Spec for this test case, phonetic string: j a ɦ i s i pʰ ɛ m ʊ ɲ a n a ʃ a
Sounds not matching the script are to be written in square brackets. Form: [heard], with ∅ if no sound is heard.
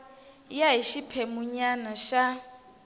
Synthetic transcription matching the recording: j a ɦ i [ʃ] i pʰ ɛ m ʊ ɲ a n a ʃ a